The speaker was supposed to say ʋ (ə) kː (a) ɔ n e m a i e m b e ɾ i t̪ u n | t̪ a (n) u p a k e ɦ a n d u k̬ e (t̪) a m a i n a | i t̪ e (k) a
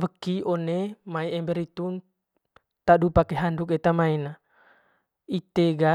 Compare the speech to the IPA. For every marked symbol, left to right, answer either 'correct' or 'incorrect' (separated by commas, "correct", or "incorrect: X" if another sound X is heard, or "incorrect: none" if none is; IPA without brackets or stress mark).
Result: correct, incorrect: i, incorrect: d, correct, incorrect: ɡ